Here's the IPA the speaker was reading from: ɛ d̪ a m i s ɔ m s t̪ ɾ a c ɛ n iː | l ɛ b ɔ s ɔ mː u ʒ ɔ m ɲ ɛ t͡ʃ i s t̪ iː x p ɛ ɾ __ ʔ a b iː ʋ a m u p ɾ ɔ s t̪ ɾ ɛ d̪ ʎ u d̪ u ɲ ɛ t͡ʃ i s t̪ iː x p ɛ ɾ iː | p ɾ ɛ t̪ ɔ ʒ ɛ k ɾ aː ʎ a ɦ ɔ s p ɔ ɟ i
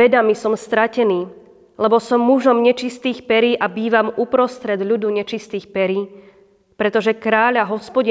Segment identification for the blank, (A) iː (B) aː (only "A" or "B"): A